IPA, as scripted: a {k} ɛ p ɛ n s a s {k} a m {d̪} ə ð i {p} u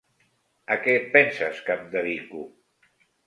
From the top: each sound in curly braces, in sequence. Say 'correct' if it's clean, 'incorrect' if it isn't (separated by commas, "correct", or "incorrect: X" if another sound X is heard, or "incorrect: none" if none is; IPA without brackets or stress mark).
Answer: correct, correct, correct, incorrect: k